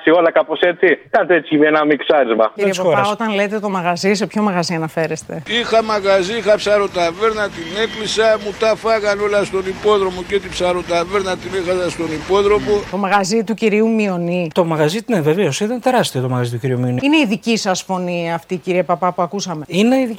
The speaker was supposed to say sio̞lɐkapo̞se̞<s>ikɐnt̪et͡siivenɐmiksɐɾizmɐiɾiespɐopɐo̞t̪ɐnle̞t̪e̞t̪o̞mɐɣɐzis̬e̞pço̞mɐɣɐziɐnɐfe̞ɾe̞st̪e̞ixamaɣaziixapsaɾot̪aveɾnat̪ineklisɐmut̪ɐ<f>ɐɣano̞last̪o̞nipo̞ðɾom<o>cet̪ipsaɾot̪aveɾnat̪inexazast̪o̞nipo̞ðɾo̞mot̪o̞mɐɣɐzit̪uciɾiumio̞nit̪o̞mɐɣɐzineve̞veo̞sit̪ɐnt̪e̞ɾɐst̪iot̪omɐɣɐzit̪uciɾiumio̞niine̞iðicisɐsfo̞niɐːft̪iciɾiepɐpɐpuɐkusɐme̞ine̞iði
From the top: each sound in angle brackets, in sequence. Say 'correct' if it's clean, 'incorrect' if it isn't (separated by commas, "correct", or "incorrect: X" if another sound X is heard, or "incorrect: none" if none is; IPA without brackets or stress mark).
incorrect: t͡s, correct, correct